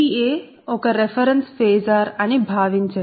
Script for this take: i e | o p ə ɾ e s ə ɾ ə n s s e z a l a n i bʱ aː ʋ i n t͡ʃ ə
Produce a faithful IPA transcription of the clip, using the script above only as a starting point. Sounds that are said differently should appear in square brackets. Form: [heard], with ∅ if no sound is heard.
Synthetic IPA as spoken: i e | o [k] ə ɾ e [f] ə ɾ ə n s [f] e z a [ɾ] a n i bʱ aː ʋ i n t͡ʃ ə